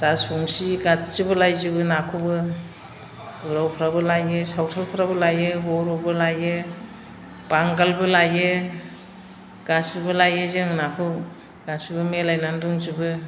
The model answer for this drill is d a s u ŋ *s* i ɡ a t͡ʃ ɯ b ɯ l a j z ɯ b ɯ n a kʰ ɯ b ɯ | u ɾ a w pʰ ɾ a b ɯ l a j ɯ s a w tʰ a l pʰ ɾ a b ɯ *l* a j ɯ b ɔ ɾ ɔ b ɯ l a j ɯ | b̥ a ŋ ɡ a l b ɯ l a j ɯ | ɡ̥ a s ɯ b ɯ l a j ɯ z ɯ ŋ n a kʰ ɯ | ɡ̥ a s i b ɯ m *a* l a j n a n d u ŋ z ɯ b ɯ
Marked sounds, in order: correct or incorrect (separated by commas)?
correct, correct, incorrect